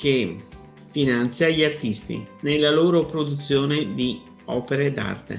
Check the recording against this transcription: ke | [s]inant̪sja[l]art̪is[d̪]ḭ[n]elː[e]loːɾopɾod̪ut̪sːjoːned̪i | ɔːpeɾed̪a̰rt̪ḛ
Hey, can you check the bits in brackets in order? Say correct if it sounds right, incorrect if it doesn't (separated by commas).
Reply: incorrect, incorrect, incorrect, correct, incorrect